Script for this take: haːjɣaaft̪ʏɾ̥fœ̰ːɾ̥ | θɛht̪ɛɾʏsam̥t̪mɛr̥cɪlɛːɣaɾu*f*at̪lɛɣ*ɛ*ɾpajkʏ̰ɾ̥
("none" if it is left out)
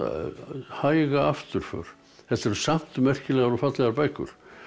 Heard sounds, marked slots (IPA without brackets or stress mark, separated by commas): f, a